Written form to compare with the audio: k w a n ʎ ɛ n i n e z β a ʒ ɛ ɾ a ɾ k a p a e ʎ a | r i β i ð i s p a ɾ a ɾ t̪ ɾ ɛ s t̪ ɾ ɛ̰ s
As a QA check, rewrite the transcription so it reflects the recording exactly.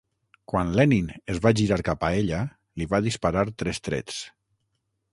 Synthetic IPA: k w a n l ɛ n i n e z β a ʒ i ɾ a ɾ k a p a e ʎ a | l i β a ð i s p a ɾ a ɾ t̪ ɾ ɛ s t̪ ɾ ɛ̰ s